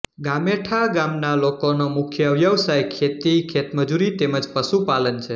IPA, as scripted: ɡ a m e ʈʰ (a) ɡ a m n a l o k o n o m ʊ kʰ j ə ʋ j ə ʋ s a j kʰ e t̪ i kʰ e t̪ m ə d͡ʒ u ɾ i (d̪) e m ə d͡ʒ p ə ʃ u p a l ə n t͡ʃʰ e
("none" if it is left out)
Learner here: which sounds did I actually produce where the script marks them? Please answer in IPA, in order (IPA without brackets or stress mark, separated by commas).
a, t̪